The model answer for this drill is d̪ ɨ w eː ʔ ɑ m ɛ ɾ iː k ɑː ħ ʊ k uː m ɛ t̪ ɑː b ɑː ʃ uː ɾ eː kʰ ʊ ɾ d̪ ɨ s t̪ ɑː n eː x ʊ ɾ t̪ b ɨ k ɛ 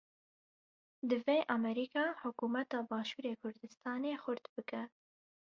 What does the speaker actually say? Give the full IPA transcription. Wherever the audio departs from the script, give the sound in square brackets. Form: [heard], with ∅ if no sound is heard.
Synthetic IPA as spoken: d̪ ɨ [v] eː ʔ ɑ m ɛ ɾ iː k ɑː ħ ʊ k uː m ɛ t̪ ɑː b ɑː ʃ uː ɾ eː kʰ ʊ ɾ d̪ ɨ s t̪ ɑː n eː x ʊ ɾ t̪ b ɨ k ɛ